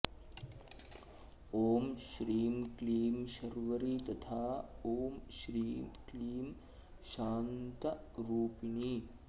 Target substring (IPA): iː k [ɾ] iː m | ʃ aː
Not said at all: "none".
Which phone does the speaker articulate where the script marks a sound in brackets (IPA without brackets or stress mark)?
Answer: l